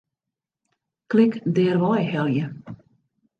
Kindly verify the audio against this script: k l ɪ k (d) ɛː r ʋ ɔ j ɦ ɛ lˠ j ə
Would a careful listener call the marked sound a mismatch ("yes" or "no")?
no